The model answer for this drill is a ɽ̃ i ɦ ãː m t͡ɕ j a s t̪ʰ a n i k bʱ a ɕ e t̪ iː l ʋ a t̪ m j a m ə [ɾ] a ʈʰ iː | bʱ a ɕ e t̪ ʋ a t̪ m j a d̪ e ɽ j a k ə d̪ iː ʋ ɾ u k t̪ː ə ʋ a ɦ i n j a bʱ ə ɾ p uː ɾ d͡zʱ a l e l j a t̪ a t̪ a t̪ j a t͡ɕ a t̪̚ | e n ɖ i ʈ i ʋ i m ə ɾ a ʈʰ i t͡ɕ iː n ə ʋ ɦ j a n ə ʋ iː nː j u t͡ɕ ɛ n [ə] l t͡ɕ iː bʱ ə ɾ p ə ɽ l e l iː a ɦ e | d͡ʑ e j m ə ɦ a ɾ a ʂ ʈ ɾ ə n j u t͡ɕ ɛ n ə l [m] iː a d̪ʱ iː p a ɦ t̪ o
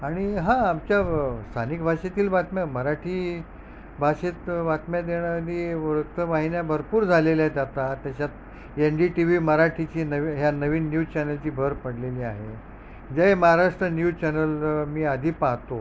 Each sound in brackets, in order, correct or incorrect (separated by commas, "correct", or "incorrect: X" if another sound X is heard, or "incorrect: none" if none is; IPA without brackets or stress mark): correct, correct, correct